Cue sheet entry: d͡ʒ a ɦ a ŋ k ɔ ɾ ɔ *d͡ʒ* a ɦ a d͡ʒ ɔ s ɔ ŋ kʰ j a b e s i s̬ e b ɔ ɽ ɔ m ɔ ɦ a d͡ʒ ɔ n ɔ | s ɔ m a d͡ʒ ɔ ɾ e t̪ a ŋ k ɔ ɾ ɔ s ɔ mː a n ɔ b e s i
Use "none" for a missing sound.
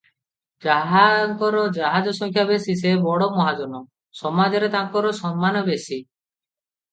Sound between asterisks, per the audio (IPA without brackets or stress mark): d͡ʒ